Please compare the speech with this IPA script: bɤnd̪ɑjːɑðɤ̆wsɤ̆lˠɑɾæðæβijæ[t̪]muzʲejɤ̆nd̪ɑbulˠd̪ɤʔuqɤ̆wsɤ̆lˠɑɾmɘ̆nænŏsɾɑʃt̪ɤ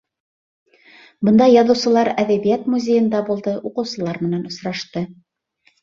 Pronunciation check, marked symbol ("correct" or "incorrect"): correct